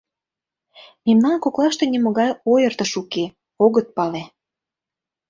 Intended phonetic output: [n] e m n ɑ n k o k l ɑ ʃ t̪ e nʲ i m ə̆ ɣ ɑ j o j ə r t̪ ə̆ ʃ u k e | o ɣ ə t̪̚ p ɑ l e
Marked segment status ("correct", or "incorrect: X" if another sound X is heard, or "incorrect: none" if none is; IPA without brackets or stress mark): incorrect: m